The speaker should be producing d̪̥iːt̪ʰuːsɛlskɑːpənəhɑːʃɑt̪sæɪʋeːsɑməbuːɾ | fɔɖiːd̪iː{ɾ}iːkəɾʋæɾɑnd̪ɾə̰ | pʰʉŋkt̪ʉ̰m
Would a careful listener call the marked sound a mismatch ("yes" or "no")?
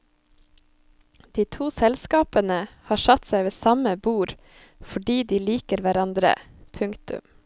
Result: yes